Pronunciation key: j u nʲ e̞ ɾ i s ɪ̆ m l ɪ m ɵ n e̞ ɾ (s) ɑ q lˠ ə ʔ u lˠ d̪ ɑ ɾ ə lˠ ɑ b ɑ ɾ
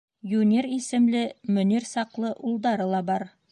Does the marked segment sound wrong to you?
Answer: no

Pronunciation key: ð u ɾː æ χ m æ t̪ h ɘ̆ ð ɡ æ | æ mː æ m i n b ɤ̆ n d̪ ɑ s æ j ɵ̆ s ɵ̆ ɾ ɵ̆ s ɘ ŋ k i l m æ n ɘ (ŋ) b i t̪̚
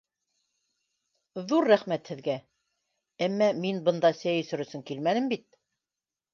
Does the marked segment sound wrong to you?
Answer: yes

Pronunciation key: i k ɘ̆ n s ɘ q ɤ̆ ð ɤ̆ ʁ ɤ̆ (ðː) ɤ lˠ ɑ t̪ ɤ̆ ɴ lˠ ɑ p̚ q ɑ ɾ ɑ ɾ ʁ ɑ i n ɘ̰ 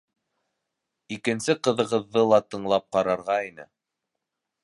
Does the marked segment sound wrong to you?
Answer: no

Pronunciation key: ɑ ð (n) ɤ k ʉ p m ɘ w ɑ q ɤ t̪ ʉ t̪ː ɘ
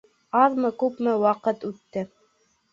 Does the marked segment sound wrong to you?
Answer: yes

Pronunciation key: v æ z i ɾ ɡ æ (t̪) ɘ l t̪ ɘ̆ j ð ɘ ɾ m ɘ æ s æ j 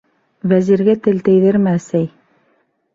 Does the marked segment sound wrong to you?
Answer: no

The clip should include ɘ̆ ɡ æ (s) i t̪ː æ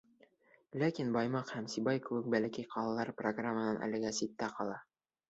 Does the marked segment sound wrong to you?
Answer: no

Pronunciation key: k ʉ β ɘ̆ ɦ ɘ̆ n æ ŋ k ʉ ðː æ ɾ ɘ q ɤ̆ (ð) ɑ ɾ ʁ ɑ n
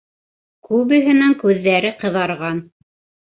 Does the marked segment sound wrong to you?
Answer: no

